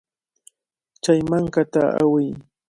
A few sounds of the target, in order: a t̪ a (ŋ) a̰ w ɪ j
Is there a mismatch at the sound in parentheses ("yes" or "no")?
yes